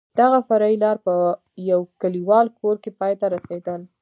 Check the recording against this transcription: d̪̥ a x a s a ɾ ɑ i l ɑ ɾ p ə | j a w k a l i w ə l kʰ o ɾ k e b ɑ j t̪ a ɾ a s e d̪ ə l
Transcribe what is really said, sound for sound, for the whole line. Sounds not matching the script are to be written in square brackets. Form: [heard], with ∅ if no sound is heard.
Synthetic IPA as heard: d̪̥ a [ɣ] a [f] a ɾ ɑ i l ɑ ɾ p ə | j a w k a l i w [ɑ] l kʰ o ɾ k e [p] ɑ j t̪ a ɾ a s e d̪ ə l